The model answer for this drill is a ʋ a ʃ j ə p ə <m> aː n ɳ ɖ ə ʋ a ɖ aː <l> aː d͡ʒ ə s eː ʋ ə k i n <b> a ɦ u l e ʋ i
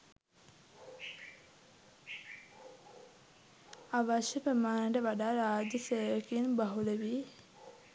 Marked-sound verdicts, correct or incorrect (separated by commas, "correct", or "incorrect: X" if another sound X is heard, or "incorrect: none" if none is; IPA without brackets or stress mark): correct, incorrect: ɾ, correct